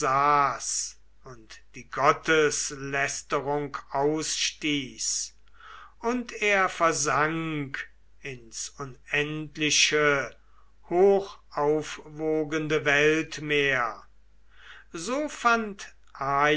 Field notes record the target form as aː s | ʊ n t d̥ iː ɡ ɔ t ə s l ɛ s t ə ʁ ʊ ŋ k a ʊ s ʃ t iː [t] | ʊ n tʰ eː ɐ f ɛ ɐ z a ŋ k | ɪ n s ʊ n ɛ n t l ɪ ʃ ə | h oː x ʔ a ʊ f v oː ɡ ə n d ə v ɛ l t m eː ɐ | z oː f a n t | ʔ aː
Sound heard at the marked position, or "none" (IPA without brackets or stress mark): s